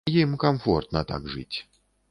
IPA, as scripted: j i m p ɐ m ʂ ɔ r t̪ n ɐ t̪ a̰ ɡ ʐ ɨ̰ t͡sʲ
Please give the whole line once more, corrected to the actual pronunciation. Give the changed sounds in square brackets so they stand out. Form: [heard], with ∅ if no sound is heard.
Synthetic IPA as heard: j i m [k] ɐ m [f] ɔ r t̪ n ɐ t̪ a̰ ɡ ʐ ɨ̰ t͡sʲ